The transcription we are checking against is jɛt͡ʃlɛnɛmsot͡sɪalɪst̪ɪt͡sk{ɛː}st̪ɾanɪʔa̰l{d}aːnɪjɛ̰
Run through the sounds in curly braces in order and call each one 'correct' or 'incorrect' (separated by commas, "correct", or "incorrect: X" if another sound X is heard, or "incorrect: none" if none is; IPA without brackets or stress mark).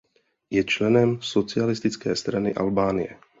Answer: correct, incorrect: b